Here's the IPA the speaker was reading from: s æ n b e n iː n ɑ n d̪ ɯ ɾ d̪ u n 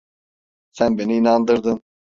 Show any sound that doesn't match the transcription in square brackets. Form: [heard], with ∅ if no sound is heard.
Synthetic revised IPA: s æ n b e n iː n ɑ n d̪ ɯ ɾ d̪ [ɯ] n